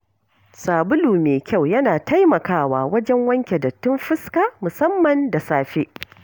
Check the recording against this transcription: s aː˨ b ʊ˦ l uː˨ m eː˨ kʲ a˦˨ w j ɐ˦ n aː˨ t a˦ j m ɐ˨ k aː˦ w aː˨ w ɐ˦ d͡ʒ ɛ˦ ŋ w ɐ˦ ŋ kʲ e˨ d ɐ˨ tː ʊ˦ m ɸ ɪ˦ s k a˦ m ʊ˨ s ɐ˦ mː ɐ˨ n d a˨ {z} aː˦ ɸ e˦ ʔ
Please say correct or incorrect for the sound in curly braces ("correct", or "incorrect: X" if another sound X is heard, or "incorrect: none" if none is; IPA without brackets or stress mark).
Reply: incorrect: s